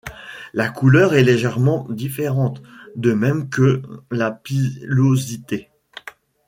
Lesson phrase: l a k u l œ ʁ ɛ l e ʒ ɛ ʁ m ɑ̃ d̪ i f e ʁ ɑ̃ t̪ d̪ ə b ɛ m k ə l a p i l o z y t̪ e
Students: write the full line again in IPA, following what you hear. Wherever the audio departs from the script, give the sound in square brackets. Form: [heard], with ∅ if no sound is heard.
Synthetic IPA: l a k u l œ ʁ ɛ l e ʒ ɛ ʁ m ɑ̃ d̪ i f e ʁ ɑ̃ t̪ d̪ ə [m] ɛ m k ə l a p i l o z [i] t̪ e